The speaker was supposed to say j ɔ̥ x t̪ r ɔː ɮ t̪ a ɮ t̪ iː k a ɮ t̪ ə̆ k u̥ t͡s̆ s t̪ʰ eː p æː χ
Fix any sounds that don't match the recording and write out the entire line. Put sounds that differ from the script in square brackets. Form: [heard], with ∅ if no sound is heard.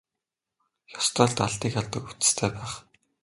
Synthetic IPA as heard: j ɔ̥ [s] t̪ r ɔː ɮ t̪ a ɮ t̪ iː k a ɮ t̪ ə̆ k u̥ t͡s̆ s t̪ʰ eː p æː χ

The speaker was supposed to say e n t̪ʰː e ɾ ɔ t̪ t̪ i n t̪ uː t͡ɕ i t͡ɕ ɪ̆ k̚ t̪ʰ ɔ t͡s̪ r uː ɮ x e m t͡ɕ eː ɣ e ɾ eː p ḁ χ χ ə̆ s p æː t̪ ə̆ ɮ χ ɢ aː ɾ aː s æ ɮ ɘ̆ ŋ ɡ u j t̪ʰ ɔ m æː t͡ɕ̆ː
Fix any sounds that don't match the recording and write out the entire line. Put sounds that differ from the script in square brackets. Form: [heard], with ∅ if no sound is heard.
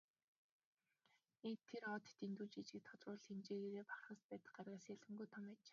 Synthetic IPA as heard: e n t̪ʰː e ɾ ɔ t̪ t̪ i n t̪ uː t͡ɕ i t͡ɕ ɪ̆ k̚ t̪ʰ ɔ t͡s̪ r [ʊː] ɮ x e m t͡ɕ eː ɣ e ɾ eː p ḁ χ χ ə̆ s p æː t̪ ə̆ [∅] χ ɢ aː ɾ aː s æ ɮ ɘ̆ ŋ ɡ u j t̪ʰ ɔ m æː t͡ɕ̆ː

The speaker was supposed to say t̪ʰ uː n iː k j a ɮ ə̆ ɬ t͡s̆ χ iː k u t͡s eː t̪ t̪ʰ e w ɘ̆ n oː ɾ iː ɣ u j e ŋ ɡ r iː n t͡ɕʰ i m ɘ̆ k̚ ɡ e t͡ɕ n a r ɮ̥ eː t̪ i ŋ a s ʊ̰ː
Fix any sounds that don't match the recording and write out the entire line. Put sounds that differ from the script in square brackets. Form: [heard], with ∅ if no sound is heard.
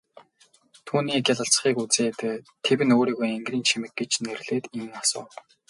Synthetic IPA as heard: t̪ʰ uː n iː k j a ɮ ə̆ ɬ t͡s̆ χ iː k u t͡s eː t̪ t̪ʰ e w ɘ̆ n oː ɾ iː ɣ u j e ŋ ɡ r iː n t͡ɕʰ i m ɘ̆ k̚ ɡ e t͡ɕ n [e] r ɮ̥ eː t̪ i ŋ a s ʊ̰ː

